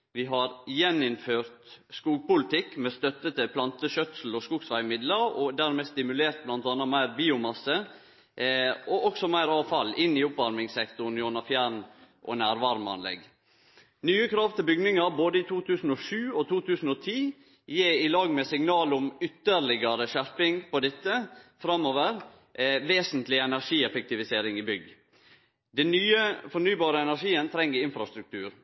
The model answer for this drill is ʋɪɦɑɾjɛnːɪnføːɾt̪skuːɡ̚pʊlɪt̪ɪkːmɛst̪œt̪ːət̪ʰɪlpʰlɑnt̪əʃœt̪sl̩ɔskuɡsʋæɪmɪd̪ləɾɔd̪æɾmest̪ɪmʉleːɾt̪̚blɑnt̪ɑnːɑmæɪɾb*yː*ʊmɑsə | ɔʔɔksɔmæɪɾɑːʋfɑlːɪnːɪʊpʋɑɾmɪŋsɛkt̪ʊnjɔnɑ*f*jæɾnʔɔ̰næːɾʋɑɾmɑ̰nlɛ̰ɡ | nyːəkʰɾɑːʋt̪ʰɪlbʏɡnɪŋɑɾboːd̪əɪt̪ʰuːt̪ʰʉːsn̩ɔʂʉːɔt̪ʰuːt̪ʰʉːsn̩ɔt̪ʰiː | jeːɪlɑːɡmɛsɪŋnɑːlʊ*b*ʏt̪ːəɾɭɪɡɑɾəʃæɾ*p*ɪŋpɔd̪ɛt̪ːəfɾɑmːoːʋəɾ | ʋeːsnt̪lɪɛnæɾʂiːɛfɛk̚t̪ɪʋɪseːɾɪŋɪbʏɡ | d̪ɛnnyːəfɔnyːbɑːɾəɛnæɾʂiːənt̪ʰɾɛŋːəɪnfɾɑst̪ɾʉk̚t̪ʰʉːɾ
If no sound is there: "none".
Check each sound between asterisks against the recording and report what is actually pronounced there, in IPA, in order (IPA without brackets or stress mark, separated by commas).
iː, f, m, p